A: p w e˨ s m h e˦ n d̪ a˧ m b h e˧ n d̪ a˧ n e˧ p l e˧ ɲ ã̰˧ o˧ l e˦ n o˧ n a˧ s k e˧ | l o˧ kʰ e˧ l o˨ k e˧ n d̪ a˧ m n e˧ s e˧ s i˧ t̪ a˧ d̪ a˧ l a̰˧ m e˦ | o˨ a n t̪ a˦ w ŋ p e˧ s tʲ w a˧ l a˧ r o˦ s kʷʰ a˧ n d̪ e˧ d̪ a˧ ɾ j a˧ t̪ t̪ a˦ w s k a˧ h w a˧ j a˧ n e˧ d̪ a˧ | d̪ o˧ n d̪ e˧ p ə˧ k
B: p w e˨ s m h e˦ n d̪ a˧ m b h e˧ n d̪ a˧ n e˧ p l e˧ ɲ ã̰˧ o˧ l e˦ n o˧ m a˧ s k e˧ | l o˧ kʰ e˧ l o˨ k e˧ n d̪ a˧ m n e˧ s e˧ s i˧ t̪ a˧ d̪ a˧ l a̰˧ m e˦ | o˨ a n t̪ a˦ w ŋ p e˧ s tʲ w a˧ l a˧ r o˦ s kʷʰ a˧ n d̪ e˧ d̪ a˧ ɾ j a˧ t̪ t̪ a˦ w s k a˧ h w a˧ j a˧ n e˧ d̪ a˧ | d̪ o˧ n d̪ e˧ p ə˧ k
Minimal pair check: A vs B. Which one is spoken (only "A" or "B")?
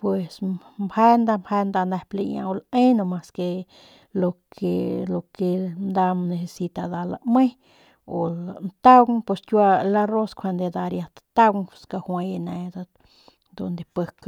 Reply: B